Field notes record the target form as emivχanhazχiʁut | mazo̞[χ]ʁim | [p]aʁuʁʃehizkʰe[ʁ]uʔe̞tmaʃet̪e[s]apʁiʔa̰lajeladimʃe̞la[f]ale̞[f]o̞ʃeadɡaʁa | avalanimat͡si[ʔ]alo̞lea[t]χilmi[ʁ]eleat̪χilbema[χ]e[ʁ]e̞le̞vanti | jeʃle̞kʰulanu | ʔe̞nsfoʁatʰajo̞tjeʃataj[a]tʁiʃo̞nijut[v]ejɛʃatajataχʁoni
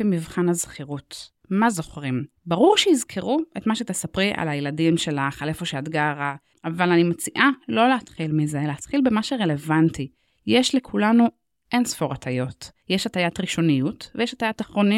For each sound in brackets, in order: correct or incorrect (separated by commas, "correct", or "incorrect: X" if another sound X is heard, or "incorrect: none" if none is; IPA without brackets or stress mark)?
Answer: correct, incorrect: b, correct, correct, incorrect: χ, correct, correct, correct, incorrect: z, incorrect: ʃ, correct, correct, correct